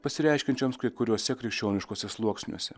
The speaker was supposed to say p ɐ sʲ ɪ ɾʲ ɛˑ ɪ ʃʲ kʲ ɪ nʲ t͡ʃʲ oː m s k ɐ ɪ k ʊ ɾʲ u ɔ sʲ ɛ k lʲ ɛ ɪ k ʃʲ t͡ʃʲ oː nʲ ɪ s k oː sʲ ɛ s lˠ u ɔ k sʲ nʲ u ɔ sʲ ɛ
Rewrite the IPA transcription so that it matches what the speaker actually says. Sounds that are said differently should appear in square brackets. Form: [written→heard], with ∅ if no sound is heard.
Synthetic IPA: p ɐ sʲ ɪ ɾʲ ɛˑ ɪ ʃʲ kʲ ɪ nʲ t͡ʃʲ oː m s k ɐ ɪ k ʊ ɾʲ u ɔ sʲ ɛ k [lʲ→ɾʲ] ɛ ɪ k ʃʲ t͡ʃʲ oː nʲ ɪ [s→ʃ] k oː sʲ ɛ s lˠ u ɔ k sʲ nʲ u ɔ sʲ ɛ

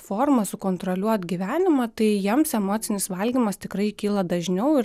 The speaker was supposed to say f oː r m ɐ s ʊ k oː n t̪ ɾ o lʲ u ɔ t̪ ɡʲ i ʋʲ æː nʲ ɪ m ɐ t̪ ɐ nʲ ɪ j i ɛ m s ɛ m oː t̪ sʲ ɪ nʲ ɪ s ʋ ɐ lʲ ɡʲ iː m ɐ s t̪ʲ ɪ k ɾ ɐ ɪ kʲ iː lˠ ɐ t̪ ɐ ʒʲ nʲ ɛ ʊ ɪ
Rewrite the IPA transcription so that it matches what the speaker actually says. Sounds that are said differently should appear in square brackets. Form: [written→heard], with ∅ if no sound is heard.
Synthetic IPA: f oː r m ɐ s ʊ k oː n t̪ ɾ o lʲ u ɔ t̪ ɡʲ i ʋʲ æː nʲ ɪ m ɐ t̪ ɐ [nʲ→∅] ɪ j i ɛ m s ɛ m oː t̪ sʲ ɪ nʲ ɪ s ʋ ɐ lʲ ɡʲ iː m ɐ s t̪ʲ ɪ k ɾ ɐ ɪ kʲ iː lˠ ɐ [t̪→d̪] ɐ ʒʲ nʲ ɛ ʊ ɪ

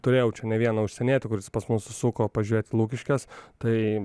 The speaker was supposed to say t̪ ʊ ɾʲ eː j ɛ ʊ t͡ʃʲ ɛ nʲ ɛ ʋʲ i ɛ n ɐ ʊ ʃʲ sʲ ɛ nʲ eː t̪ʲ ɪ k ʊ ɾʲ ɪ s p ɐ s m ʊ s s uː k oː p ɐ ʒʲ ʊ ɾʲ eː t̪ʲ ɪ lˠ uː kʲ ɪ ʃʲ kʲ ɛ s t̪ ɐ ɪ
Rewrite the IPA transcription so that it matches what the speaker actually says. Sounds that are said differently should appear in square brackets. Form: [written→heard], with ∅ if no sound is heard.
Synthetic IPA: t̪ ʊ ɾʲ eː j ɛ ʊ t͡ʃʲ ɛ nʲ ɛ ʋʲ i ɛ n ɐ ʊ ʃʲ sʲ ɛ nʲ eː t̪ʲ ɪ k ʊ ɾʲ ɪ s p ɐ s m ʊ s s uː k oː p ɐ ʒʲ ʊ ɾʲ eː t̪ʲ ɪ lˠ uː kʲ ɪ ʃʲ kʲ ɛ s t̪ ɐ ɪ

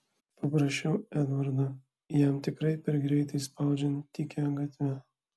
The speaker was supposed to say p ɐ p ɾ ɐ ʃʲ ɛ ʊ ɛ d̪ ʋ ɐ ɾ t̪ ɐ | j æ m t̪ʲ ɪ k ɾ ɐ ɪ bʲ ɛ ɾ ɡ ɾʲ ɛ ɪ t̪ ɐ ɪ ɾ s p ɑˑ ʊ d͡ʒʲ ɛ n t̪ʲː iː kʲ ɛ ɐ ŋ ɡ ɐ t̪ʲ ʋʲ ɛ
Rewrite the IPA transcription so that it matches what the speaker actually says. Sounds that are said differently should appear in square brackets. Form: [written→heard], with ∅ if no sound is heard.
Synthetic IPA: p ɐ p ɾ ɐ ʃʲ ɛ ʊ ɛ d̪ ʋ ɐ ɾ [t̪→d̪] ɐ | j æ m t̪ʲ ɪ k ɾ ɐ ɪ [bʲ→pʲ] ɛ ɾ ɡ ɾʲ ɛ ɪ t̪ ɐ ɪ [ɾ→∅] s p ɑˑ ʊ d͡ʒʲ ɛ n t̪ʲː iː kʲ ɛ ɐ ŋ ɡ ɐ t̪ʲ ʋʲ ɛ

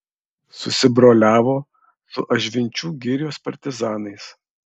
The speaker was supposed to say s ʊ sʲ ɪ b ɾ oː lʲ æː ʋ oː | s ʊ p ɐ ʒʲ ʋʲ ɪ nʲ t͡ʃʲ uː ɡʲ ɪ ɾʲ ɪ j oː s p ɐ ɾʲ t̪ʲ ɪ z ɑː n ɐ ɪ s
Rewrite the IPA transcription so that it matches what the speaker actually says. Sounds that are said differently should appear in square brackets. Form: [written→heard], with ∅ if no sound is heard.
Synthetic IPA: s ʊ sʲ ɪ b ɾ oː lʲ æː ʋ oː | s ʊ [p→ʔ] ɐ ʒʲ ʋʲ ɪ nʲ t͡ʃʲ uː ɡʲ ɪ ɾʲ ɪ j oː s p ɐ ɾʲ t̪ʲ ɪ z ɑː n ɐ ɪ s

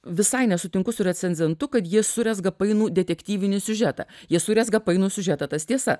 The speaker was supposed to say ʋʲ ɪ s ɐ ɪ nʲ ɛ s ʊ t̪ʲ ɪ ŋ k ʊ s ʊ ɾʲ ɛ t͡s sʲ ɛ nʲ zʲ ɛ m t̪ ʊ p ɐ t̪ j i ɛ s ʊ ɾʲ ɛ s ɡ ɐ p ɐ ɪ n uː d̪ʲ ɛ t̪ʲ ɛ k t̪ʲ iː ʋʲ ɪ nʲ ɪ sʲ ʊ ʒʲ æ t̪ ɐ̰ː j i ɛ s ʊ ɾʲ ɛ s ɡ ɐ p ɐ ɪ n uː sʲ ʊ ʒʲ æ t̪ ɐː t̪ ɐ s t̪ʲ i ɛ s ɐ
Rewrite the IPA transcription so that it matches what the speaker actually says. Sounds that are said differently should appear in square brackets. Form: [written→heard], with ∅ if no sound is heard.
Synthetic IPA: ʋʲ ɪ s ɐ ɪ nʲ ɛ s ʊ t̪ʲ ɪ ŋ k ʊ s ʊ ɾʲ ɛ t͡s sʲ ɛ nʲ zʲ ɛ [m→n] t̪ ʊ [p→k] ɐ t̪ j i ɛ s ʊ ɾʲ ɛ s ɡ ɐ p ɐ ɪ n uː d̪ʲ ɛ t̪ʲ ɛ k t̪ʲ iː ʋʲ ɪ nʲ ɪ sʲ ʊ ʒʲ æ t̪ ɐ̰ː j i ɛ s ʊ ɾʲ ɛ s ɡ ɐ p ɐ ɪ n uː sʲ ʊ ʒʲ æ t̪ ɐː t̪ ɐ s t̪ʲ i ɛ s ɐ

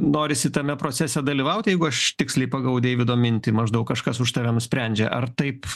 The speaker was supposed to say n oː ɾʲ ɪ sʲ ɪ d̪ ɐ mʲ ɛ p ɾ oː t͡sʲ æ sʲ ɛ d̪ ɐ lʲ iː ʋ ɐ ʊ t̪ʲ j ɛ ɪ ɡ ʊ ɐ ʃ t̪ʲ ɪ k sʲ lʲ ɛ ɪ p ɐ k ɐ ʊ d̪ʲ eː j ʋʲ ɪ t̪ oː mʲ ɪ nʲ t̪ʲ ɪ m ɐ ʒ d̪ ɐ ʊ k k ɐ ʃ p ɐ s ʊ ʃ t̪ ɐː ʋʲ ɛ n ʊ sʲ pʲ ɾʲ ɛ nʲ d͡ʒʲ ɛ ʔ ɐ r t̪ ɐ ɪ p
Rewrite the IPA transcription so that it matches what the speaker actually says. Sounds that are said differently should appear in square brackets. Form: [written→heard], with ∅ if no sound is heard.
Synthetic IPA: n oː ɾʲ ɪ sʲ ɪ [d̪→t̪] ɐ mʲ ɛ p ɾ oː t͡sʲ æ sʲ ɛ d̪ ɐ lʲ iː ʋ ɐ ʊ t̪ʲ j ɛ ɪ ɡ ʊ ɐ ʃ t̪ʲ ɪ k sʲ lʲ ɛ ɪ p ɐ [k→ɡ] ɐ ʊ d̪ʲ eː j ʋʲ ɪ [t̪→d̪] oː mʲ ɪ nʲ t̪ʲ ɪ m ɐ ʒ d̪ ɐ ʊ k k ɐ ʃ [p→k] ɐ s ʊ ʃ t̪ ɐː ʋʲ ɛ n ʊ sʲ pʲ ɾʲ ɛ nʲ d͡ʒʲ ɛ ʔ ɐ r t̪ ɐ ɪ p

